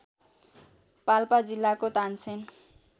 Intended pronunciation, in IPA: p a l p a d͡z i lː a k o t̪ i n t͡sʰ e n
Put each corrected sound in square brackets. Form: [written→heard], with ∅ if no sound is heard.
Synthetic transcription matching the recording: p a l p a d͡z i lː a k o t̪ [i→a] n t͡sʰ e n